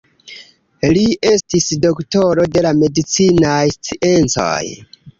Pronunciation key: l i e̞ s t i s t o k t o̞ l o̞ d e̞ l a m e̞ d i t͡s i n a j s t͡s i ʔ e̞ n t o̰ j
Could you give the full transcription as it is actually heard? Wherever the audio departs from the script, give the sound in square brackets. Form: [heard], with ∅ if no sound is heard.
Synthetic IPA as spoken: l i e̞ s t i s [d] o k t o̞ [ɾ] o̞ d e̞ l a m e̞ d i t͡s i n a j s t͡s i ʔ e̞ n [t͡s] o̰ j